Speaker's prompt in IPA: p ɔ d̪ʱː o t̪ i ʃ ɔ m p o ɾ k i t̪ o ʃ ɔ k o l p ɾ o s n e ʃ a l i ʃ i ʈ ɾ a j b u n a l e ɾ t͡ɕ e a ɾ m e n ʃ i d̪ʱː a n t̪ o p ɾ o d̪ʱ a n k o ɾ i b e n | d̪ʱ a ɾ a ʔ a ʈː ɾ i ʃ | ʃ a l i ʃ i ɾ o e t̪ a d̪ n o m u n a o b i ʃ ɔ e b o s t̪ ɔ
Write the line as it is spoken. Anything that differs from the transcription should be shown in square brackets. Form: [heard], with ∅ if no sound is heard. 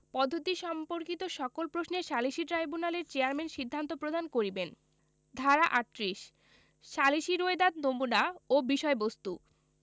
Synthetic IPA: p ɔ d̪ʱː o t̪ i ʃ ɔ m p o ɾ k i t̪ o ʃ ɔ k o l p ɾ o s n e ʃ a l i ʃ i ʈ ɾ a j b u n a l e ɾ t͡ɕ e a ɾ m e n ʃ i d̪ʱː a n t̪ o p ɾ o d̪ʱ a n k o ɾ i b e n | d̪ʱ a ɾ a ʔ a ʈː ɾ i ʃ | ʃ a l i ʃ i ɾ o e [d̪] a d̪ n o m u n a o b i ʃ ɔ e b o s t̪ [u]